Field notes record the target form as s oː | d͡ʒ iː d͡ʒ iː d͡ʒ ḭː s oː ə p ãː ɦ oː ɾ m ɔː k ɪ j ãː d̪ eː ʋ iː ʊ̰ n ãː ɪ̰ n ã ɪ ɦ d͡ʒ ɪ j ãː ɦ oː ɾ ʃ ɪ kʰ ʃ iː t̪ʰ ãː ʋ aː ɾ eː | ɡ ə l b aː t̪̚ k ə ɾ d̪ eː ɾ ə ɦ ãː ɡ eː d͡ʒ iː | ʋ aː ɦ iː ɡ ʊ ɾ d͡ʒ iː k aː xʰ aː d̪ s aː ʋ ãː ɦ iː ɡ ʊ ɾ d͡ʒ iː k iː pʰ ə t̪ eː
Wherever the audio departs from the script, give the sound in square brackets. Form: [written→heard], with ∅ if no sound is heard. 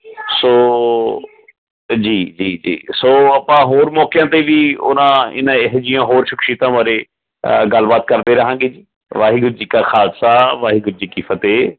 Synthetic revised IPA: s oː | d͡ʒ iː d͡ʒ iː d͡ʒ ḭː s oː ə p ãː ɦ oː ɾ m ɔː k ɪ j ãː [d̪→t̪] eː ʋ iː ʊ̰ n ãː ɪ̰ n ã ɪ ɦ d͡ʒ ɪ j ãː ɦ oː ɾ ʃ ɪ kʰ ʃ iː [t̪ʰ→t̪] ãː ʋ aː ɾ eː | ɡ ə l b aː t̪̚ k ə ɾ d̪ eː ɾ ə ɦ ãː ɡ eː d͡ʒ iː | ʋ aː ɦ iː ɡ ʊ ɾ d͡ʒ iː k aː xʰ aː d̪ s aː ʋ [ãː→aː] ɦ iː ɡ ʊ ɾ d͡ʒ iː k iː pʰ ə t̪ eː